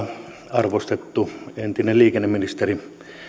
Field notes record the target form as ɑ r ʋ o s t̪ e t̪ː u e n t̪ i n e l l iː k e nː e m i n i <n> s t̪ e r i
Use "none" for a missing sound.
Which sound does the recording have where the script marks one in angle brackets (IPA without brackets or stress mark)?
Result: none